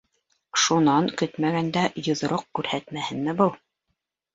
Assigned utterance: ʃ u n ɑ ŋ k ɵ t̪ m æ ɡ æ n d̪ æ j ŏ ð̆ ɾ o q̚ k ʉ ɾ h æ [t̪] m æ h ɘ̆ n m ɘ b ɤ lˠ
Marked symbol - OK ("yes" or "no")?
yes